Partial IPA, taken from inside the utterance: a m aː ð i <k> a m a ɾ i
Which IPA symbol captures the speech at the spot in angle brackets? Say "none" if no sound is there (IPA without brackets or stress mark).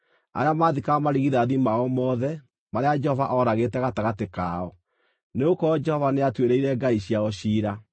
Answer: k